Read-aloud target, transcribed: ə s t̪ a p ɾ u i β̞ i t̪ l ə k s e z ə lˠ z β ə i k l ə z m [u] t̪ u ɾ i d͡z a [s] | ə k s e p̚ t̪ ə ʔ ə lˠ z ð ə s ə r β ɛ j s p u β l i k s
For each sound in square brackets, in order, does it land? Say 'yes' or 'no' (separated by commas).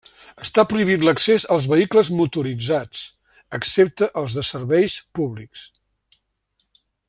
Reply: yes, no